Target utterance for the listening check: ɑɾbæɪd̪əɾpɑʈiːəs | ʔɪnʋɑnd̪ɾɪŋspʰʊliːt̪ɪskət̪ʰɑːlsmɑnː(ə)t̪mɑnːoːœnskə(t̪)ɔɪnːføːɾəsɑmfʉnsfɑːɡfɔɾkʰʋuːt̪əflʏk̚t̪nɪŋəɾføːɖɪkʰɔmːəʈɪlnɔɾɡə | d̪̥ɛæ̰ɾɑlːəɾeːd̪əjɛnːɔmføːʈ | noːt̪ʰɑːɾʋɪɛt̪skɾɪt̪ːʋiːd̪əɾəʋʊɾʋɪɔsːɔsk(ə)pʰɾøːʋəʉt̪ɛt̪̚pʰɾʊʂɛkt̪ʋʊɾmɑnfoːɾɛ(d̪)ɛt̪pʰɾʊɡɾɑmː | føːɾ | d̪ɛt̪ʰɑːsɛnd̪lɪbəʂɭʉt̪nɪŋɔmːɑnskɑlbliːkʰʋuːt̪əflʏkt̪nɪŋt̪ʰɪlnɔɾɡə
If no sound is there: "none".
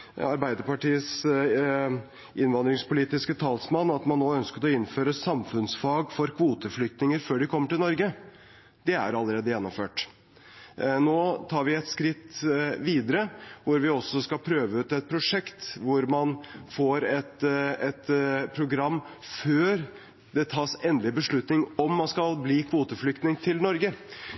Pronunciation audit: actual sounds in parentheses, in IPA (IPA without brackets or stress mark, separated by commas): ɑ, t̪, ɑ, t̪